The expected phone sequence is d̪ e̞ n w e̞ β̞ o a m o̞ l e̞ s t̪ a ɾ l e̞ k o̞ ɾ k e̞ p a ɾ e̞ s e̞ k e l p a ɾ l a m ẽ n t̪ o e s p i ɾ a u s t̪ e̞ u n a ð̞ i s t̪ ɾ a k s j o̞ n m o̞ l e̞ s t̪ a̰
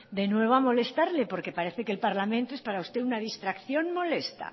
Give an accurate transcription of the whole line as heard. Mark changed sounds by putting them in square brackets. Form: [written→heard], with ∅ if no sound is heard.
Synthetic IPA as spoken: d̪ e̞ n w e̞ β̞ o a m o̞ l e̞ s t̪ a ɾ l e̞ [k→p] o̞ ɾ k e̞ p a ɾ e̞ [s→θ] e̞ k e l p a ɾ l a m ẽ n t̪ o e s p [i→a] ɾ a u s t̪ e̞ u n a ð̞ i s t̪ ɾ a k [s→θ] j o̞ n m o̞ l e̞ s t̪ a̰